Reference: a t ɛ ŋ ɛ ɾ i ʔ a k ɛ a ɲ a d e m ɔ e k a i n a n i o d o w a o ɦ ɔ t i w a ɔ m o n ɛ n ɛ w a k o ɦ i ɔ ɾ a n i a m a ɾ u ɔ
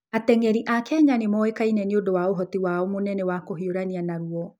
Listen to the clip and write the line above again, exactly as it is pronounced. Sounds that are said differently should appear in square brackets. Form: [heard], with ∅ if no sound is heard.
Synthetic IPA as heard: a t ɛ ŋ ɛ ɾ i ʔ a k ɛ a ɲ a [n] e m ɔ e k a i n [ɛ] n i o d o w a o ɦ ɔ t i w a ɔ m o n ɛ n ɛ w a k o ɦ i [o] ɾ a n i a [n] a ɾ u ɔ